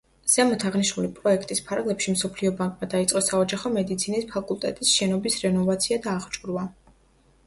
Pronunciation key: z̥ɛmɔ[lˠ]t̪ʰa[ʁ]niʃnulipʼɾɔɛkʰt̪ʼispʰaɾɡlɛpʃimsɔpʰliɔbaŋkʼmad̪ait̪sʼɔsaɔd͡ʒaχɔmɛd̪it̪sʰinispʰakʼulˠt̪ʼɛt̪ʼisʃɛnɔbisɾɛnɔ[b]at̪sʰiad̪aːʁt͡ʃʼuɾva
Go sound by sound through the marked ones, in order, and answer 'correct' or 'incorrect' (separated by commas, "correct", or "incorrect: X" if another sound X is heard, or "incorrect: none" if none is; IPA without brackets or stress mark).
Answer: incorrect: none, correct, incorrect: v